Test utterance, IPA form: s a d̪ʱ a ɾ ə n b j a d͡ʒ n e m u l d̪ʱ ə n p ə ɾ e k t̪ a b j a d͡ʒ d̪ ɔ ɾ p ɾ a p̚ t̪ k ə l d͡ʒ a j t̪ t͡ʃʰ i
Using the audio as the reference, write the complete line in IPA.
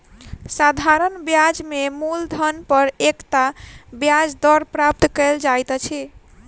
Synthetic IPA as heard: s a d̪ʱ a ɾ ə n b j a d͡ʒ m e m u l d̪ʱ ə n p ə ɾ e k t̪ a b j a d͡ʒ d̪ ɔ ɾ p ɾ a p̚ t̪ k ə l d͡ʒ a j t̪ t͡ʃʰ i